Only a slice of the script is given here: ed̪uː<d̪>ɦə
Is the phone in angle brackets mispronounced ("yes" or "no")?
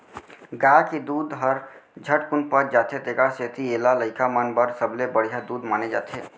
no